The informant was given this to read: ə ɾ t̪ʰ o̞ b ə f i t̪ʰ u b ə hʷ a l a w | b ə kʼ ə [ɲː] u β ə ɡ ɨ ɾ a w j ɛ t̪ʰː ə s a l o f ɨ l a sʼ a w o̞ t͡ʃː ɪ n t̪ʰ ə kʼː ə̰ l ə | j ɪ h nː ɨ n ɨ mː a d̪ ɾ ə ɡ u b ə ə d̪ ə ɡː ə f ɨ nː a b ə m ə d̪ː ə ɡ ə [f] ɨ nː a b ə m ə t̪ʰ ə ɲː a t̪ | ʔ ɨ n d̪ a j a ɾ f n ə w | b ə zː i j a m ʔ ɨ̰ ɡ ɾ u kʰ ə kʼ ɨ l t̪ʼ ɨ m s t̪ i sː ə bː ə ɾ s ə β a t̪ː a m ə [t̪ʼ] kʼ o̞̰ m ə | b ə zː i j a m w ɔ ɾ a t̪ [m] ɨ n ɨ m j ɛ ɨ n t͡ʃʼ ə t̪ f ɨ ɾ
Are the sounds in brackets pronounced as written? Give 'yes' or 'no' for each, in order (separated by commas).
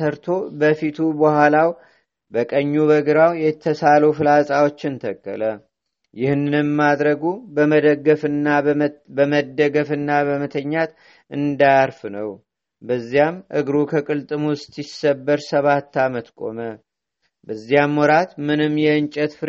yes, yes, no, yes